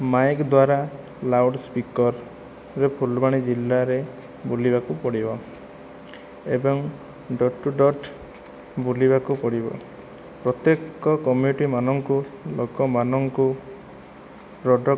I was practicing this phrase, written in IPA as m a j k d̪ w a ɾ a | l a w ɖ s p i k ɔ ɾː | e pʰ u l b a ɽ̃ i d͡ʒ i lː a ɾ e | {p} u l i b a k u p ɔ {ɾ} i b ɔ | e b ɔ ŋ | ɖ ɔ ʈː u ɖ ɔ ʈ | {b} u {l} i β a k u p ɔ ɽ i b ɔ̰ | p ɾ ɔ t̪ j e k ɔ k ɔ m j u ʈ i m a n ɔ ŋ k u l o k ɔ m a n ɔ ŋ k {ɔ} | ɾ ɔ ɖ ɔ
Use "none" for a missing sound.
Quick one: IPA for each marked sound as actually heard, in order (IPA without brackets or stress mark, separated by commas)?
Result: b, ɽ, b, l, u